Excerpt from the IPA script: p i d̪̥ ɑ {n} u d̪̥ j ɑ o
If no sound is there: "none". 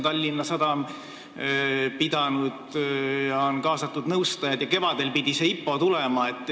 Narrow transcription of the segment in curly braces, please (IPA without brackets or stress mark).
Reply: n